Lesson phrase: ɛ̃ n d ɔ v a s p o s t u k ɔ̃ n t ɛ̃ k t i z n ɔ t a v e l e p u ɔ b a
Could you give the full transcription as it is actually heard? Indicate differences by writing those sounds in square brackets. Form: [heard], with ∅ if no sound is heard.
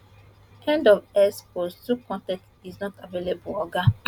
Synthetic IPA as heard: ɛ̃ n d ɔ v [ɛ] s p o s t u k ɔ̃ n t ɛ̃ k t i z n ɔ t a v e l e [b] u ɔ [ɡ] a